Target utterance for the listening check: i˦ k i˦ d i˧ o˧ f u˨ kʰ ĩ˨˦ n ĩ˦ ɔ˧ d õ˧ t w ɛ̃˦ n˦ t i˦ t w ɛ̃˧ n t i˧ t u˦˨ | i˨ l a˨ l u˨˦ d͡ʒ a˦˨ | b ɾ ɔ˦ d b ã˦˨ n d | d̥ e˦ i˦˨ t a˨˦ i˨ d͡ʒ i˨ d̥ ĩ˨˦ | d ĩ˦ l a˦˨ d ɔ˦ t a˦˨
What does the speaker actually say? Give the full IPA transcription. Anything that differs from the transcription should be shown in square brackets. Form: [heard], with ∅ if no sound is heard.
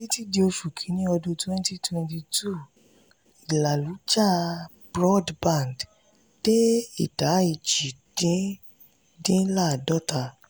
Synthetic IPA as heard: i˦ [t] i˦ d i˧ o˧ f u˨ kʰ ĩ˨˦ n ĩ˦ ɔ˧ d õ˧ t w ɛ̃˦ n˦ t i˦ t w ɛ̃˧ n t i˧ t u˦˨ | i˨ l a˨ l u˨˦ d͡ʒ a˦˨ | b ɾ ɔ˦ d b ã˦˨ n d | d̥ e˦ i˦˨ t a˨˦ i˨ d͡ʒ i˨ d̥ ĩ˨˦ | d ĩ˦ l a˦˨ d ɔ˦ t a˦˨